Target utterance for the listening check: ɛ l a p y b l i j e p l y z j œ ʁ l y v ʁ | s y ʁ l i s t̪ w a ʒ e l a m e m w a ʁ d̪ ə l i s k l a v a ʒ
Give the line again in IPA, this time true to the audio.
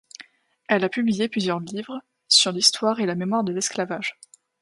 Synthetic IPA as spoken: ɛ l a p y b l i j e p l y z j œ ʁ l i v ʁ | s y ʁ l i s t̪ w a ʁ e l a m e m w a ʁ d̪ ə l ɛ s k l a v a ʒ